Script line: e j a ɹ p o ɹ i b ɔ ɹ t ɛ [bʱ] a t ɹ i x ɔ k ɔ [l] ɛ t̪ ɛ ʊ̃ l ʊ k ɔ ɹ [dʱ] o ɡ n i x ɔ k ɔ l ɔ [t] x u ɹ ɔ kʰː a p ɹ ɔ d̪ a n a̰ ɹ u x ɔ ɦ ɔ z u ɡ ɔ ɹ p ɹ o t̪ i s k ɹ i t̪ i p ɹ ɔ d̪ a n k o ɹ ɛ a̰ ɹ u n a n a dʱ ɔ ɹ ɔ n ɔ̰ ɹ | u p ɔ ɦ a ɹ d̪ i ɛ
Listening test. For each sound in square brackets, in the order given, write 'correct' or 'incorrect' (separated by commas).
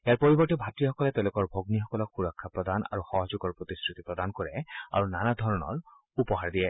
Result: correct, correct, incorrect, incorrect